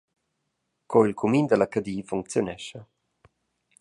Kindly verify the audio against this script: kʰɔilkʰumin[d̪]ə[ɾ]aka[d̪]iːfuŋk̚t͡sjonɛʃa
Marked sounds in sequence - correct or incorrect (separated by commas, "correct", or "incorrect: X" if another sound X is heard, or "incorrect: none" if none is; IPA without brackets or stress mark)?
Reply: correct, incorrect: l, correct